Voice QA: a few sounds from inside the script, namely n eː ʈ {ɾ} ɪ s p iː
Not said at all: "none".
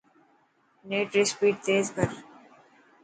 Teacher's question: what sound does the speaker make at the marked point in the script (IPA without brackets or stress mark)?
ɾ